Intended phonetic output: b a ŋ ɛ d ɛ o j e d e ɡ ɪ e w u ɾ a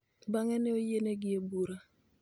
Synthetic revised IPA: b a ŋ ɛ n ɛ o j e n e ɡ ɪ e b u ɾ a